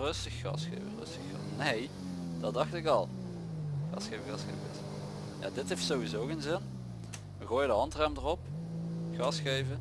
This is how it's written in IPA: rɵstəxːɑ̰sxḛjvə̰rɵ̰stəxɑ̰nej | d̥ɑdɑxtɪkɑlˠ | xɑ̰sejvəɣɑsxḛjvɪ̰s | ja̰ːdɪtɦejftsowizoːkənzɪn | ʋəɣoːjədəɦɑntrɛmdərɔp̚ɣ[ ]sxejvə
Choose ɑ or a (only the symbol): ɑ